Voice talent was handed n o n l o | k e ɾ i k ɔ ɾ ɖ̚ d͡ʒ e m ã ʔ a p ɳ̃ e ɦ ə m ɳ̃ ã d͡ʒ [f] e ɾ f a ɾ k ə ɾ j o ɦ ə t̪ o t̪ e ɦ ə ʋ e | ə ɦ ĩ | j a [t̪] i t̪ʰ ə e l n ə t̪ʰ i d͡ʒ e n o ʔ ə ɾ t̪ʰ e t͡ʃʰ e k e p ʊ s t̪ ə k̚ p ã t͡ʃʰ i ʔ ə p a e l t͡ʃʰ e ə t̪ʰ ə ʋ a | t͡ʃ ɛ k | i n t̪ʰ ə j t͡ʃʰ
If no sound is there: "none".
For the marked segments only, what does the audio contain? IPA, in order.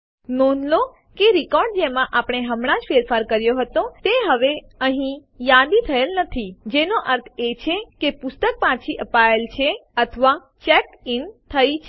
f, d̪

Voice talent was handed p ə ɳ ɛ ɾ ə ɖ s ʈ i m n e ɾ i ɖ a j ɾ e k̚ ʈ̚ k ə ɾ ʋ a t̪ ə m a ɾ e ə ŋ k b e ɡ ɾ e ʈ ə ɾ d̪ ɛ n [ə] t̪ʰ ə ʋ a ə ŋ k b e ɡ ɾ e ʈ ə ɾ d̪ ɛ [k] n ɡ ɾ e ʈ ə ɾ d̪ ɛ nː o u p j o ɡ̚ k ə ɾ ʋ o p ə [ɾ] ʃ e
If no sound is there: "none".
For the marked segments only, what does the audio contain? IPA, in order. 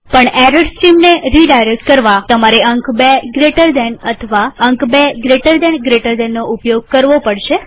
ə, none, ɽ

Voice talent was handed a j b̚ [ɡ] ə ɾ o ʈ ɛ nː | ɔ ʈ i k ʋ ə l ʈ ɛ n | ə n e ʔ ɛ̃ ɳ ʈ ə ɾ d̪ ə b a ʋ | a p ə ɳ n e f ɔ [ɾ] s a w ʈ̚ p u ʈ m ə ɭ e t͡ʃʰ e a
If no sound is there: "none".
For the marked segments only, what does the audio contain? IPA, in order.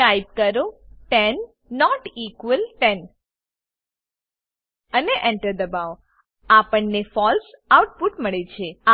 k, l

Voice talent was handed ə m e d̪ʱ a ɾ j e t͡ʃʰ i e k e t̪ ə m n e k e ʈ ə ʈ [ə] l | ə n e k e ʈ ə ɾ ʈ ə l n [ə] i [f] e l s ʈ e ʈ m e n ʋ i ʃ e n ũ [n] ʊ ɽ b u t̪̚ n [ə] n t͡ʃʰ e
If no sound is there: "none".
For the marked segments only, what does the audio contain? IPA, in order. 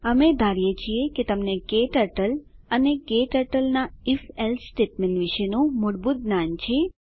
ə, a, f, m, a

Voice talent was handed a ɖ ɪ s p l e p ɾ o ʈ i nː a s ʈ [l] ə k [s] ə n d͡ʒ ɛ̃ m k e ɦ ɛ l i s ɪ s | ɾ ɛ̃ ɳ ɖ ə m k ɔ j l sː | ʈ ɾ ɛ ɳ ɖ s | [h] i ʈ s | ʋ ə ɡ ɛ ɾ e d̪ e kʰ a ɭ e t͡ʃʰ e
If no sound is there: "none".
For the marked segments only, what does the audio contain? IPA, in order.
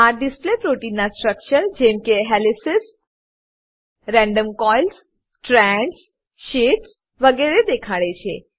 ɾ, ʃ, ʃ

